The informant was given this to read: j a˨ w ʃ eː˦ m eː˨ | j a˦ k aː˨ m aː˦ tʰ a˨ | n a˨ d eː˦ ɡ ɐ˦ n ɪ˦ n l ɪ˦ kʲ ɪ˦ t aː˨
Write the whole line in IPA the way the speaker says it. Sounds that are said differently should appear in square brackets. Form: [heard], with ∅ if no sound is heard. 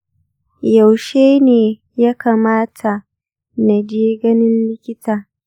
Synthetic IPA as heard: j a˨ w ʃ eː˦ [n] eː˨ | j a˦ k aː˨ m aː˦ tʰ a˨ | n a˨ [d͡ʒ] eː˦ ɡ ɐ˦ n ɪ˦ n l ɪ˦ kʲ ɪ˦ t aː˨